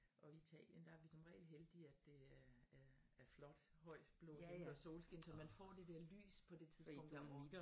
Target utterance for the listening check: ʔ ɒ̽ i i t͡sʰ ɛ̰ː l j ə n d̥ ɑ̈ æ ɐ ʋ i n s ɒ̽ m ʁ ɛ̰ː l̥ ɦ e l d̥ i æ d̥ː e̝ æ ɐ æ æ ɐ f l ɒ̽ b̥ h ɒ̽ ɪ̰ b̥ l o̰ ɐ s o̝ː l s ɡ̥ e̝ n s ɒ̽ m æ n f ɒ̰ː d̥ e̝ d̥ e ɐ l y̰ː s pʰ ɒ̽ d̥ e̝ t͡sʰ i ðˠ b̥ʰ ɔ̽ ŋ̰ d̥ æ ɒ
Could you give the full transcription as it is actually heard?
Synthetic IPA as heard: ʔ ɒ̽ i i t͡sʰ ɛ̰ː l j ə n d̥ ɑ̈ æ ɐ ʋ i s ɒ̽ m ʁ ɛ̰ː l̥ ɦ e l d̥ i æ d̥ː e̝ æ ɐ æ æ ɐ f l ɒ̽ d̥ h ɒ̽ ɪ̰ b̥ l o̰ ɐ s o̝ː l s ɡ̥ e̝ n s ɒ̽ m æ n f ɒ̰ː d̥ e̝ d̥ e ɐ l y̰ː s pʰ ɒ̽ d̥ e̝ t͡sʰ i ðˠ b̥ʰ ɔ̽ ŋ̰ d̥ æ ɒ